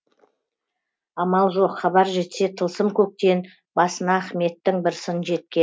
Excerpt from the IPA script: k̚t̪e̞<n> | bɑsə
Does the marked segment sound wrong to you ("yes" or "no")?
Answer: no